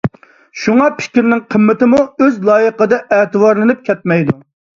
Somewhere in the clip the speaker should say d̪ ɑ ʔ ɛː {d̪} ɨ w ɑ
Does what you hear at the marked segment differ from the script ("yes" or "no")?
yes